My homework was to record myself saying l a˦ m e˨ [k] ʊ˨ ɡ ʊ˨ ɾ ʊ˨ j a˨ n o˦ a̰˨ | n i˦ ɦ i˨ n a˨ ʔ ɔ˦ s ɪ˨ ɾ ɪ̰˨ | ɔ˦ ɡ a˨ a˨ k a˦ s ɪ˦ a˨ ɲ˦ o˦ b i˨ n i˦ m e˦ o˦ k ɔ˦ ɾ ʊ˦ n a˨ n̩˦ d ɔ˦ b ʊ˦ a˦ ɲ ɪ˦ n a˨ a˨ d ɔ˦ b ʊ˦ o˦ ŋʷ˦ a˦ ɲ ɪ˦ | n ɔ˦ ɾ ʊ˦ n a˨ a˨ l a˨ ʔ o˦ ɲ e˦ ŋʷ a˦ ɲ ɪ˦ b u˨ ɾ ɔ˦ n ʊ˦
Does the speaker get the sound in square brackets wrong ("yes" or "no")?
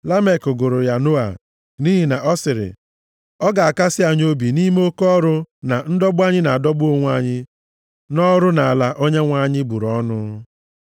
no